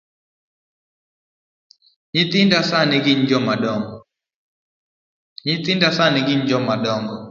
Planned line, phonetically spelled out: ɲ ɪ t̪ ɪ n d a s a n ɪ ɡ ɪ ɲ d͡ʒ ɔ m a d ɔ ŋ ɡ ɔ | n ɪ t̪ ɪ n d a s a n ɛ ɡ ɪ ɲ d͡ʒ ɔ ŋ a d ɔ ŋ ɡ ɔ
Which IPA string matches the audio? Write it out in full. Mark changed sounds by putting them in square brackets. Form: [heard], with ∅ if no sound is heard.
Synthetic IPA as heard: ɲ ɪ t̪ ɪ n d a s a n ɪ ɡ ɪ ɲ d͡ʒ ɔ m a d ɔ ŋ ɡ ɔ | [ɲ] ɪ t̪ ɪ n d a s a n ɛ ɡ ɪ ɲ d͡ʒ ɔ [m] a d ɔ ŋ ɡ ɔ